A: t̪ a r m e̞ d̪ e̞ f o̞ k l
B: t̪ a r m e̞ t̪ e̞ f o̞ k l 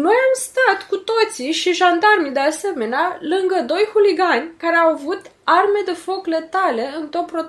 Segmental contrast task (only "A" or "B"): A